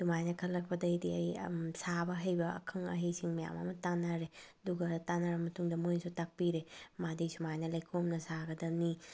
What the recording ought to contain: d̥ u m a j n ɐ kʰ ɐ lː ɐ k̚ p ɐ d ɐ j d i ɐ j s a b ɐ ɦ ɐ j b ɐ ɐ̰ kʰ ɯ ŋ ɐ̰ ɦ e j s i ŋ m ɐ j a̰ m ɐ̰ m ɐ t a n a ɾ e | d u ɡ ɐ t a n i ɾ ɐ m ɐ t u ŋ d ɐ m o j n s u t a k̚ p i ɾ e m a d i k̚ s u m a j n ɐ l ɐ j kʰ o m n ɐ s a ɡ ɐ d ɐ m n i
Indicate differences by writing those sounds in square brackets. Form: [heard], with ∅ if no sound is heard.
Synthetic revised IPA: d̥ u m a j n ɐ kʰ ɐ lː ɐ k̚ p ɐ d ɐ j d i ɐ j s a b ɐ ɦ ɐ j b ɐ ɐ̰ kʰ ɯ ŋ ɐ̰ ɦ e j s i ŋ m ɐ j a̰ m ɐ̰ m ɐ t a n a ɾ e | d u ɡ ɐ t a n [a] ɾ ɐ m ɐ t u ŋ d ɐ m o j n s u t a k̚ p i ɾ e m a d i [∅] s u m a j n ɐ l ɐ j kʰ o m n ɐ s a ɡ ɐ d ɐ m n i